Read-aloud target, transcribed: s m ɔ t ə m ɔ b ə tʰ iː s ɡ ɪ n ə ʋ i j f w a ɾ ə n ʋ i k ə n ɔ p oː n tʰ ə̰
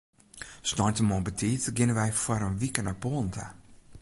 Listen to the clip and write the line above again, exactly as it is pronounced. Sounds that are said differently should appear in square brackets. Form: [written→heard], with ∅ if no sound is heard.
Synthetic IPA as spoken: s [m→n] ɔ t ə m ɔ b ə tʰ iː [s→t] ɡ ɪ n ə ʋ [i→ɛ] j f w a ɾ ə n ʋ i k ə n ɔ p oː n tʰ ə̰